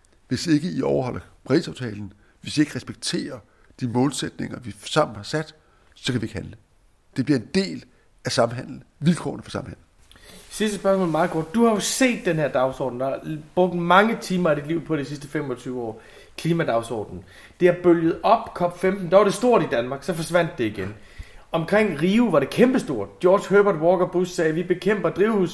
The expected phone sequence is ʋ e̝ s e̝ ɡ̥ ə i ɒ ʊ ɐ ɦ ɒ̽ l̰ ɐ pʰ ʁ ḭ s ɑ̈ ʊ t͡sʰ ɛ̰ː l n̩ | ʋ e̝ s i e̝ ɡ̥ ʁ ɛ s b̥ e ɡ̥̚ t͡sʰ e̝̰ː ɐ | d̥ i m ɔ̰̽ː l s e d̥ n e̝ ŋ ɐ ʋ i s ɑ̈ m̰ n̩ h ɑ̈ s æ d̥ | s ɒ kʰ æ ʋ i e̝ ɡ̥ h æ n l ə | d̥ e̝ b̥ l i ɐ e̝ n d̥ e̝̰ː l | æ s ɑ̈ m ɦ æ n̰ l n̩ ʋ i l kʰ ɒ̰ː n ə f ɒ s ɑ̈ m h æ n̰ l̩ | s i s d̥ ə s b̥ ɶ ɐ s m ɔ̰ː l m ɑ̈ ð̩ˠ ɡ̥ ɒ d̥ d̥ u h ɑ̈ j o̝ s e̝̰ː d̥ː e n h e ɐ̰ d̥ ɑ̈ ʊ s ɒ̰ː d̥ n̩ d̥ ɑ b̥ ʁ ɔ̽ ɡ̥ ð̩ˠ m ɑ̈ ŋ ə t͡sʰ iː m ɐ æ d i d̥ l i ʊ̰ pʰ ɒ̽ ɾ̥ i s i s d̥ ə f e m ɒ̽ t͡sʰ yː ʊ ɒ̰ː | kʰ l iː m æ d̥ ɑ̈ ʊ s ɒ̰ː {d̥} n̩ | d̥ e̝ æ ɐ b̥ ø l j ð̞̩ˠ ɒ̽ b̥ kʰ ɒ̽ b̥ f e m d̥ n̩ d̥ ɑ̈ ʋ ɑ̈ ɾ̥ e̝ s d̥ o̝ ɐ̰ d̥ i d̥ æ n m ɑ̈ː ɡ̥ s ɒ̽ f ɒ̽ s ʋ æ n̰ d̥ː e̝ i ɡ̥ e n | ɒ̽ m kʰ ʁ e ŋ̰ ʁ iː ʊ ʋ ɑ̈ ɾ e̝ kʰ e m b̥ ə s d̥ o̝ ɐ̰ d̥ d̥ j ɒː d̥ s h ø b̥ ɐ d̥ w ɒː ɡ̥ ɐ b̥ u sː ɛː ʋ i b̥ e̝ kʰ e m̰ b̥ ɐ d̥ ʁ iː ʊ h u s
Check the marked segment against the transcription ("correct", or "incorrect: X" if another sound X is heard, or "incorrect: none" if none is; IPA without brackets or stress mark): correct